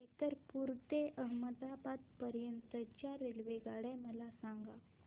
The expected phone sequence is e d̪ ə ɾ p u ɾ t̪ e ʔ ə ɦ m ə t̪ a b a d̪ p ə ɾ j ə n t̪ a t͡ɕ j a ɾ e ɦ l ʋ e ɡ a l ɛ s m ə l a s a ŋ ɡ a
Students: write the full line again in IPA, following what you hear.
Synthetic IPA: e t̪ ə ɾ p u ɾ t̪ e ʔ ə ɦ m ə d̪ a b a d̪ p ə ɾ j ə n t̪ ə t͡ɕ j a ɾ e l ʋ e ɡ a ɽ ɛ m ə l a s a ŋ ɡ a